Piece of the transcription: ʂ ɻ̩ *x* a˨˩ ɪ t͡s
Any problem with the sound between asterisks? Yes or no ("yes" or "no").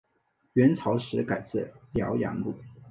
yes